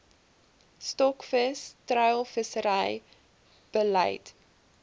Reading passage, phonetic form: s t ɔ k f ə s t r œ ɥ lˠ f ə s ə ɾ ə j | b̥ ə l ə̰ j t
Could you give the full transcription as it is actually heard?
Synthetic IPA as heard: s t ɔ k f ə s t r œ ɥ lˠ f ə s ə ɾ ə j | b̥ ə l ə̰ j t